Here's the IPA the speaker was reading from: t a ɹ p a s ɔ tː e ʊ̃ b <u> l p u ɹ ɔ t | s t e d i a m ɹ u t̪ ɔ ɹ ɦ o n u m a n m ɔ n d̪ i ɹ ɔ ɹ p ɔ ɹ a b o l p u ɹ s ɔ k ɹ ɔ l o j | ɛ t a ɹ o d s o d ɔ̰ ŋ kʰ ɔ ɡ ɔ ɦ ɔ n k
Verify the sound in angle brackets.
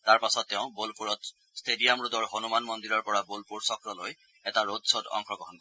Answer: incorrect: o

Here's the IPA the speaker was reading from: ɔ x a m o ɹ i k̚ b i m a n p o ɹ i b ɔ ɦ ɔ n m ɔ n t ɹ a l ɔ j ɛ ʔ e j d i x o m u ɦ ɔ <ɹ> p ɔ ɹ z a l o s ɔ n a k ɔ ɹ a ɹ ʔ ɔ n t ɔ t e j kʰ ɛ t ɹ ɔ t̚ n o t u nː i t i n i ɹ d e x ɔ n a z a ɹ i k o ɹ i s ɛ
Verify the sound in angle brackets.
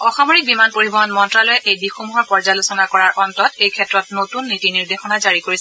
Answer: correct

